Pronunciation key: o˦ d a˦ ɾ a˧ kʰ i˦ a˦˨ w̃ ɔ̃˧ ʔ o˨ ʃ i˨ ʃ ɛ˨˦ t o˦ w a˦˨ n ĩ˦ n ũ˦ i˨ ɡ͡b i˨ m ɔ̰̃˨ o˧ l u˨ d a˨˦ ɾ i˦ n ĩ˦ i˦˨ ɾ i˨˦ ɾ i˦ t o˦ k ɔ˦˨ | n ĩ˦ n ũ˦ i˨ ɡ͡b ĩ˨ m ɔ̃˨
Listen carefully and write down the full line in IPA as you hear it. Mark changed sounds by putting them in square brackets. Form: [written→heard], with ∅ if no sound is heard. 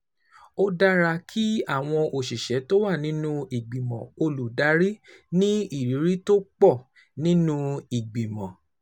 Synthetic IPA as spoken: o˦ d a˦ ɾ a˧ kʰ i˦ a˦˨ w̃ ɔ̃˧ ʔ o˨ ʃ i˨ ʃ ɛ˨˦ t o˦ w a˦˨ n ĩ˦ n ũ˦ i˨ ɡ͡b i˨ m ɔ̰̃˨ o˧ l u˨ d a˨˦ ɾ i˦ n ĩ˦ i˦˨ ɾ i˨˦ ɾ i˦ t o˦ [k→k͡p] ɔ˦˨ | n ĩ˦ n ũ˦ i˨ ɡ͡b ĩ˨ m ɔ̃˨